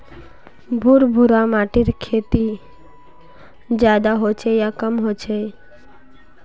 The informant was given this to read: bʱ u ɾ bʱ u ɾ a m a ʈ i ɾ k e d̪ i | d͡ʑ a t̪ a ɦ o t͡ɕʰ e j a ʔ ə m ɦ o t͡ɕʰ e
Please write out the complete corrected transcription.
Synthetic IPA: bʱ u ɾ bʱ u ɾ a m a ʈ i ɾ kʰ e t̪ i | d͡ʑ a d̪ a ɦ o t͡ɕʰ e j a k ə m ɦ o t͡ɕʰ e